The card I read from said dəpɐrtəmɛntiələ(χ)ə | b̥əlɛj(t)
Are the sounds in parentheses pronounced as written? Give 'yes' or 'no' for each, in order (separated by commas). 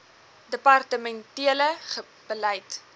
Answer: yes, yes